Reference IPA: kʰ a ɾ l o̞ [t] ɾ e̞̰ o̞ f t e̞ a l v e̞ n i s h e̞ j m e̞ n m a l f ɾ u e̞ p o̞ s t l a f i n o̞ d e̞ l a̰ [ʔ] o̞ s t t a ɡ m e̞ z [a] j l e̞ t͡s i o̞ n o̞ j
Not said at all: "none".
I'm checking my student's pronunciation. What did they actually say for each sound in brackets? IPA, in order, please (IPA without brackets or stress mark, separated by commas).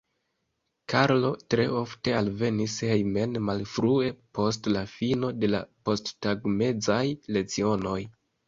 t, p, a